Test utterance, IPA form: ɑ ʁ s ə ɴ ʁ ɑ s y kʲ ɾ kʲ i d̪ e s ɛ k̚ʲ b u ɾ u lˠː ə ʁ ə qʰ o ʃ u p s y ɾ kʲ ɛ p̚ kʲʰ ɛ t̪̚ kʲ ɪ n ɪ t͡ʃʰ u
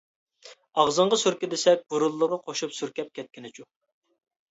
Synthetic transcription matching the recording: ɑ ʁ z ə ɴ ʁ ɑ s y ɾ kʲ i d̪ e s ɛ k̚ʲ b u ɾ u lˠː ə ʁ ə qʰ o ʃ u p s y ɾ kʲ ɛ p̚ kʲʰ ɛ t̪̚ kʲ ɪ n ɪ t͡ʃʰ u